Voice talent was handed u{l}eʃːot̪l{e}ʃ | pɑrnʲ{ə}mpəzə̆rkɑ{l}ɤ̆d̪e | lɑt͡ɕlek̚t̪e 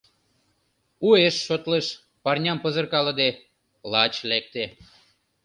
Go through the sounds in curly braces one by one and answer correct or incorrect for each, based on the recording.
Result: incorrect: none, correct, incorrect: ɑ, correct

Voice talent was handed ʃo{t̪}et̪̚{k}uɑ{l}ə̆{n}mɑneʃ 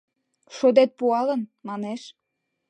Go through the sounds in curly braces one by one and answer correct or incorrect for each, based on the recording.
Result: incorrect: d̪, incorrect: p, correct, correct

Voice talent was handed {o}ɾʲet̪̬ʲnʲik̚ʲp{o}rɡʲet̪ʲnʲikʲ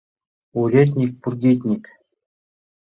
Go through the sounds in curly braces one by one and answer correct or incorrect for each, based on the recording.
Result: incorrect: u, incorrect: u

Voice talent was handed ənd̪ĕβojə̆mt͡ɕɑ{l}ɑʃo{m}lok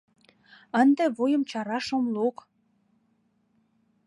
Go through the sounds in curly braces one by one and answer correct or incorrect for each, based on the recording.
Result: incorrect: ɾ, correct

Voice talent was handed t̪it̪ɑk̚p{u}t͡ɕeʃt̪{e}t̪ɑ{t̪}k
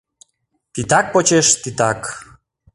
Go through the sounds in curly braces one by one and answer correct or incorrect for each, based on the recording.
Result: incorrect: o, incorrect: i, incorrect: none

